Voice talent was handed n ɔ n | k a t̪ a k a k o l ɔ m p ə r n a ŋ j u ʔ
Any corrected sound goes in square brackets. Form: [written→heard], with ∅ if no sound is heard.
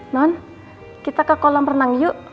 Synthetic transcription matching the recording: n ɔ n | k [a→i] t̪ a k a k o l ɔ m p ə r n a ŋ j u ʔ